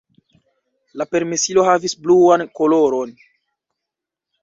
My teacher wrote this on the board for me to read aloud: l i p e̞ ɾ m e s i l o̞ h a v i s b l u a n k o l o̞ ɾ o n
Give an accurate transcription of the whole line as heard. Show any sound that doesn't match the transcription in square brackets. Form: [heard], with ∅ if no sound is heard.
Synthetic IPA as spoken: l [a] p e̞ ɾ m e s i l o̞ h a v i s b l u a n k o l o̞ ɾ o n